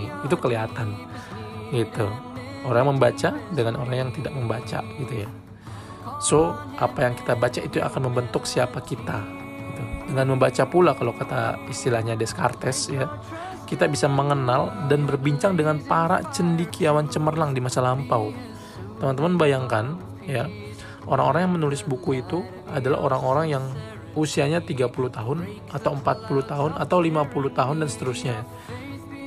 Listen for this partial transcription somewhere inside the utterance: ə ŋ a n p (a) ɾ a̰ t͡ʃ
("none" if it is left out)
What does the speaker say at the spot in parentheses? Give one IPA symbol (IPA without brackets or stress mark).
a